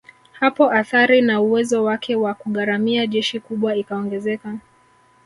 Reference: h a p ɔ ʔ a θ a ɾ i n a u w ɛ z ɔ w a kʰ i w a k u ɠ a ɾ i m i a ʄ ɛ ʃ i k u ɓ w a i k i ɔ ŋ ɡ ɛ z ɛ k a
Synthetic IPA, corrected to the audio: h a p ɔ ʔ a θ a ɾ i n a u w ɛ z ɔ w a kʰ ɛ w a k u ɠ a ɾ a m i a ʄ ɛ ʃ i k u ɓ w a i k a ɔ ŋ ɡ ɛ z ɛ k a